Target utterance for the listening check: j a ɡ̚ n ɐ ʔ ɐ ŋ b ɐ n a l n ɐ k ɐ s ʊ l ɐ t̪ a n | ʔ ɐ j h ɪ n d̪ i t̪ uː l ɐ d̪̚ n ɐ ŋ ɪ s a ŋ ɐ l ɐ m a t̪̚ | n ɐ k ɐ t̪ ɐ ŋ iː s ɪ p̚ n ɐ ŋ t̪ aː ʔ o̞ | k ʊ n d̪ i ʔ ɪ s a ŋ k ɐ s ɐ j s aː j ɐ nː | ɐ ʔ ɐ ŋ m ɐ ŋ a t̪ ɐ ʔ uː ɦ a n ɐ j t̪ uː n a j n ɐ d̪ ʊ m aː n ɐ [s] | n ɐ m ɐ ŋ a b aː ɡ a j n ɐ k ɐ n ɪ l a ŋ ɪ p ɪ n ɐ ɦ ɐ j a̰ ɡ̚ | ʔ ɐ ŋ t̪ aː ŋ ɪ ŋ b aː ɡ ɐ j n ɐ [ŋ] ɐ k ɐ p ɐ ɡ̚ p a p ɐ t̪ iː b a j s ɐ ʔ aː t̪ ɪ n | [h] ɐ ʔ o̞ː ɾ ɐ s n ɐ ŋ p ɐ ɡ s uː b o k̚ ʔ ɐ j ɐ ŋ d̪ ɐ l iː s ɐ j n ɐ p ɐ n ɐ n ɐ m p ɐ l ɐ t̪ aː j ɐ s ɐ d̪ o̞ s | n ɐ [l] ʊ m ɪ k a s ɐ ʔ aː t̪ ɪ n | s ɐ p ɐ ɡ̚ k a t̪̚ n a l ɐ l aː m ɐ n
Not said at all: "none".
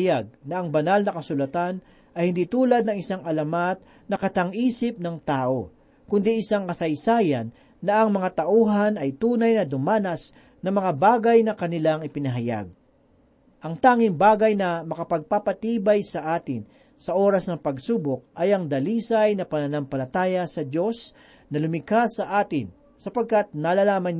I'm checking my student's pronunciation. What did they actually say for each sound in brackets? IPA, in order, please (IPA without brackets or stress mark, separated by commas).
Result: s, m, s, l